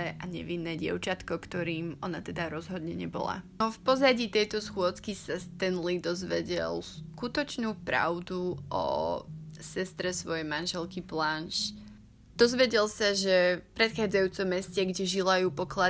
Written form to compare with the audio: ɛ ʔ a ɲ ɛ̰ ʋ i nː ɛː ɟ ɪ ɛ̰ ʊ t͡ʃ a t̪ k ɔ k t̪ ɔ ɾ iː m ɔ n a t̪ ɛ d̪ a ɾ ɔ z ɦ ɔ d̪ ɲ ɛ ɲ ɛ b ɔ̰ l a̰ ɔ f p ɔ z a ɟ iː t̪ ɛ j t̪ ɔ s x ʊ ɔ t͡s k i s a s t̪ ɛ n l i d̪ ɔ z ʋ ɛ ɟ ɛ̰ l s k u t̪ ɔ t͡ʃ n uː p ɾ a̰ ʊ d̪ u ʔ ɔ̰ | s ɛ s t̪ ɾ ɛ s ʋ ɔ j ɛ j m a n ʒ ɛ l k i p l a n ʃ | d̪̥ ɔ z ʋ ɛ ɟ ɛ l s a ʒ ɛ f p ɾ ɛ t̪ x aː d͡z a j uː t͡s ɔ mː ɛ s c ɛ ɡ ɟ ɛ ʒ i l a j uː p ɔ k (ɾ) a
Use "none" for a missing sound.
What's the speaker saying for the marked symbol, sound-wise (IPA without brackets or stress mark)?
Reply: l